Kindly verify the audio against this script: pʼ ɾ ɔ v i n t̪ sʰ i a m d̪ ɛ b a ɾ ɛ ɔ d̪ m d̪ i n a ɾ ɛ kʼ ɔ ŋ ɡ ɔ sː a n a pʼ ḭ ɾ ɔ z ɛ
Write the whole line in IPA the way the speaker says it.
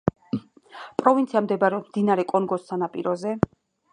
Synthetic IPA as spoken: pʼ ɾ ɔ v i n t̪ sʰ i a m d̪ ɛ b a ɾ ɛ ɔ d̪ m d̪ i n a ɾ ɛ kʼ ɔ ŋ ɡ ɔ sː a n a pʼ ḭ ɾ ɔ z ɛ

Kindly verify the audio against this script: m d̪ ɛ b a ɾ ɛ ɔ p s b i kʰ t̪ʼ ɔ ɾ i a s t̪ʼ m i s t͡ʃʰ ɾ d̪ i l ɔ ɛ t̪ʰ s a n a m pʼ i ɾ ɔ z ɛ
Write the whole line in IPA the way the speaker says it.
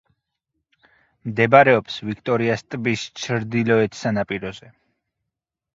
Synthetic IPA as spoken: m d̪ ɛ b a ɾ ɛ ɔ p s v i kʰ t̪ʼ ɔ ɾ i a s t̪ʼ b i s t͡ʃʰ ɾ d̪ i l ɔ ɛ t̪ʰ s a n a pʼ i ɾ ɔ z ɛ

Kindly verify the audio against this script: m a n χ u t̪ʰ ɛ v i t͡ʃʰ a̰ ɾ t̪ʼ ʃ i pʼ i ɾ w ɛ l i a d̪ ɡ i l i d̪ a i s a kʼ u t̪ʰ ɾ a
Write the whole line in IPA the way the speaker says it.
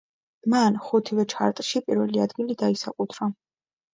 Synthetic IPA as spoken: m a n χ u t̪ʰ i v ɛ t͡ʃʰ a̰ ɾ t̪ʼ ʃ i pʼ i ɾ v ɛ l i a d̪ ɡ i l i d̪ a i s a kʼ u t̪ʰ ɾ a

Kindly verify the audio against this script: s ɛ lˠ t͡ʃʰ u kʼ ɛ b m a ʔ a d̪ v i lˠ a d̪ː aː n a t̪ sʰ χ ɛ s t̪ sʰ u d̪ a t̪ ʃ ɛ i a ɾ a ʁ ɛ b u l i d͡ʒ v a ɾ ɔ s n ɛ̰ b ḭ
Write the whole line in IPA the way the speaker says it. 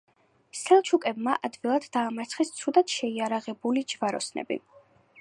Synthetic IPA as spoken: s ɛ lˠ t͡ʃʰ u kʼ ɛ b m a ʔ a d̪ v i lˠ a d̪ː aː m a t̪ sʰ χ ɛ s t̪ sʰ u d̪ a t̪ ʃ ɛ i a ɾ a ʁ ɛ b u l i d͡ʒ v a ɾ ɔ s n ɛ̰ b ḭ

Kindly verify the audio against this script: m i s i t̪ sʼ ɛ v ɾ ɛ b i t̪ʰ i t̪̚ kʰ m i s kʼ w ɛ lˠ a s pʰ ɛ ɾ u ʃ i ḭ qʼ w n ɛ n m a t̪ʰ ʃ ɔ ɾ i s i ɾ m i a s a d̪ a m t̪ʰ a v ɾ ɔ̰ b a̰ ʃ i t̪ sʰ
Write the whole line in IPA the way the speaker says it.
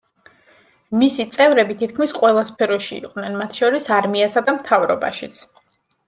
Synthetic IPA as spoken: m i s i t̪ sʼ ɛ v ɾ ɛ b i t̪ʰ i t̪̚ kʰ m i s qʼ w ɛ lˠ a s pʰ ɛ ɾ ɔ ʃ i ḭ qʼ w n ɛ n m a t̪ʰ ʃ ɔ ɾ i s a ɾ m i a s a d̪ a m t̪ʰ a v ɾ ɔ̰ b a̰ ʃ i t̪ sʰ

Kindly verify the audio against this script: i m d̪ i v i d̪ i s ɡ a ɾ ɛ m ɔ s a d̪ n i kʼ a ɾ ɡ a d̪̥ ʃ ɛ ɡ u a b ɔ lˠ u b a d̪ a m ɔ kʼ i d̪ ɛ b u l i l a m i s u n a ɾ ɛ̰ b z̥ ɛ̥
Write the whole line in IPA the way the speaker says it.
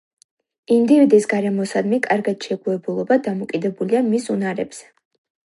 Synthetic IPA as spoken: i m d̪ i v i d̪ i s ɡ a ɾ ɛ m ɔ s a d̪ m i kʼ a ɾ ɡ a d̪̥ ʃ ɛ ɡ u ɛ b u lˠ ɔ b a d̪ a m ɔ kʼ i d̪ ɛ b u l i a m i s u n a ɾ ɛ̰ b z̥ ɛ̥

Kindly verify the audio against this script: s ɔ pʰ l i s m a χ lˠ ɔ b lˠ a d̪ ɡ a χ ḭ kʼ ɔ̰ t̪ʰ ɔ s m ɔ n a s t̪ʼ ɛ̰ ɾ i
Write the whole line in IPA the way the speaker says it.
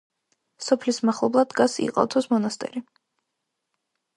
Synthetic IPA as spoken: s ɔ pʰ l i s m a χ lˠ ɔ b lˠ a d̪ ɡ a s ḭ qʼ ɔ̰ t̪ʰ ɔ s m ɔ n a s t̪ʼ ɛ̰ ɾ i

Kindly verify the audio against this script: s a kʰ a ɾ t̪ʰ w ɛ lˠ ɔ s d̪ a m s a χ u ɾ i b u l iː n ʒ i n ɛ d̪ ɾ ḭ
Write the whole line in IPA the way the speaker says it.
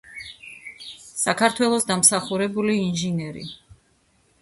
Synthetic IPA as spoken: s a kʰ a ɾ t̪ʰ w ɛ lˠ ɔ s d̪ a m s a χ u ɾ ɛ b u l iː n ʒ i n ɛ ɾ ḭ

